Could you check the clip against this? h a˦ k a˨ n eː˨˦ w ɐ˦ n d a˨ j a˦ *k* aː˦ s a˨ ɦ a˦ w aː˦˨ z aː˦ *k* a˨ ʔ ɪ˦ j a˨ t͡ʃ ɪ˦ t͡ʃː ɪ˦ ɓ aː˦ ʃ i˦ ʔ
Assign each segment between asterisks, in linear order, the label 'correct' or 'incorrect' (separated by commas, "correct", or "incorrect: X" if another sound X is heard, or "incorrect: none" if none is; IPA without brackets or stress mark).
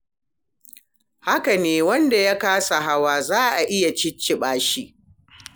correct, incorrect: ʔ